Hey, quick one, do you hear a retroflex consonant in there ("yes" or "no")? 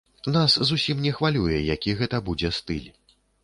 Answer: no